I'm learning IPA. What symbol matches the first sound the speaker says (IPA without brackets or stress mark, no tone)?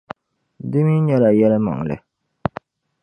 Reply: d